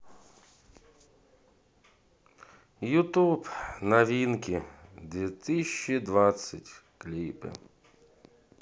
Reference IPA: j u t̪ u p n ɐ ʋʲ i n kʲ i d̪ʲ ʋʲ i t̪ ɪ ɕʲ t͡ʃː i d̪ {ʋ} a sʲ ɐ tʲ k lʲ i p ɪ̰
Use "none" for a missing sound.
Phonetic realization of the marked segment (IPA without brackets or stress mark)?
ʋ